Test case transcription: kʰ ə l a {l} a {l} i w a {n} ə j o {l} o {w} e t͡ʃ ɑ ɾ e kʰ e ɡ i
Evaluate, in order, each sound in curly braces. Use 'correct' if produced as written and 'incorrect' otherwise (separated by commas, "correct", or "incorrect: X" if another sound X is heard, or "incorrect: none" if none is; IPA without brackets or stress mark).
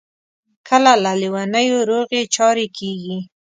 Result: correct, correct, correct, incorrect: ɾ, incorrect: ɣ